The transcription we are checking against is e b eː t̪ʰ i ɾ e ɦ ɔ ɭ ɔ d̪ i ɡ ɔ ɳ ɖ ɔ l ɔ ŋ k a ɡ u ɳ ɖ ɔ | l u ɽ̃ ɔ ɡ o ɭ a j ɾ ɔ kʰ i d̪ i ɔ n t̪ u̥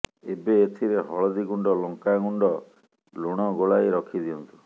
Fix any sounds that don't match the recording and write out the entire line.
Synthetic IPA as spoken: e b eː t̪ʰ i ɾ e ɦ ɔ ɭ ɔ d̪ i ɡ u ɳ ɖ ɔ l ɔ ŋ k a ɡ u ɳ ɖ ɔ | l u ɽ̃ ɔ ɡ o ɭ a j ɾ ɔ kʰ i d̪ i ɔ n t̪ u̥